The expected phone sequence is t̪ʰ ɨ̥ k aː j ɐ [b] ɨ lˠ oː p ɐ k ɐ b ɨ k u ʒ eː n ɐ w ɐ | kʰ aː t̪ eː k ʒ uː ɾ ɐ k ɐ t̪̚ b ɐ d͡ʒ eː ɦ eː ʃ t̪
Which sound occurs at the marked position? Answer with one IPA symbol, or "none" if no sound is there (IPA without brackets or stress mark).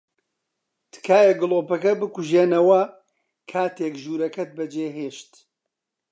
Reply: ɡ